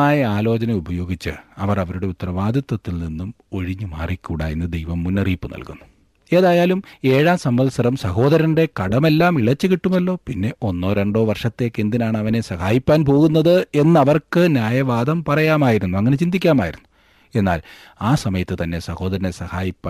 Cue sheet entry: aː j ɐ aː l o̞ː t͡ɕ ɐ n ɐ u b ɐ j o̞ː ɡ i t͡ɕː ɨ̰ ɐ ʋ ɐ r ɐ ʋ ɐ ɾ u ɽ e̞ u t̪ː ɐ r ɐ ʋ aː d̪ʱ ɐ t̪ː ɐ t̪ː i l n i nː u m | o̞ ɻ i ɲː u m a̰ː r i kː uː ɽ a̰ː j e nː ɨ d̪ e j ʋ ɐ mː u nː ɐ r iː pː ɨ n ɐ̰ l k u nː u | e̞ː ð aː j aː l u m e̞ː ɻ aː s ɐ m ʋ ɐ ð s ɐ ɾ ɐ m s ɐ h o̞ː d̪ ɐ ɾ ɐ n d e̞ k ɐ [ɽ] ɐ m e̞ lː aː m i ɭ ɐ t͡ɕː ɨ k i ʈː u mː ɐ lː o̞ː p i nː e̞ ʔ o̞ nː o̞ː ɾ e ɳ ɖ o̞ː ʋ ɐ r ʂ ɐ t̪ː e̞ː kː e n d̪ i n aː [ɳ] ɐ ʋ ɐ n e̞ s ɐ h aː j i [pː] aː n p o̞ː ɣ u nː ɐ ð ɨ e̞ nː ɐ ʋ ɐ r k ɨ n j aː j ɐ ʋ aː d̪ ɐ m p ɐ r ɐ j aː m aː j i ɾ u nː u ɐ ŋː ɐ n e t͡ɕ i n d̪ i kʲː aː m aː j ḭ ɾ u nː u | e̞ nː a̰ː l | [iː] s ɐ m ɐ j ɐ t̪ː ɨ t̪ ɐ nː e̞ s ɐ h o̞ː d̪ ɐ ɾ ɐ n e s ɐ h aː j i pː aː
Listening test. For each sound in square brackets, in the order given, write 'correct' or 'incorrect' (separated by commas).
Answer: correct, correct, correct, incorrect